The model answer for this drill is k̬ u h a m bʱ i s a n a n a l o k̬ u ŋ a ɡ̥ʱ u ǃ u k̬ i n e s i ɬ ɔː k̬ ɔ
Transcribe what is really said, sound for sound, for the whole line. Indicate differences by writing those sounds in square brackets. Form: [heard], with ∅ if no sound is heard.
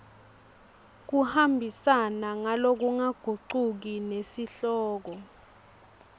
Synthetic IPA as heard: k̬ u h a m bʱ i s a n a [ŋ] a l o k̬ u ŋ a ɡ̥ʱ u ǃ u k̬ i n e s i ɬ ɔː k̬ ɔ